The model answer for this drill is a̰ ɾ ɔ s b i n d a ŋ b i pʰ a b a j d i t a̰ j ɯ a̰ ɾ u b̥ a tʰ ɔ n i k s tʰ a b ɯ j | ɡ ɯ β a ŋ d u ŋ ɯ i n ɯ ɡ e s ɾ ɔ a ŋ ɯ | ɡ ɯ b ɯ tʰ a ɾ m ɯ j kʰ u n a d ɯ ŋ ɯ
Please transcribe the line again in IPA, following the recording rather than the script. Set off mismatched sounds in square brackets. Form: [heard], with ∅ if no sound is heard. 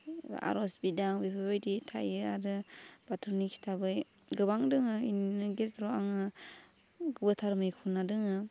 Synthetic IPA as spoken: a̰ ɾ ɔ s b i [∅] d a ŋ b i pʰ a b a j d i [tʰ] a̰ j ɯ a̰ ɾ [ɯ] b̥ a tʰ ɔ n i k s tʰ a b ɯ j | ɡ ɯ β a ŋ d [ɯ] ŋ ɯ i n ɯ ɡ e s ɾ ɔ a ŋ ɯ | ɡ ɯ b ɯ tʰ a ɾ m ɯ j kʰ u n a d ɯ ŋ ɯ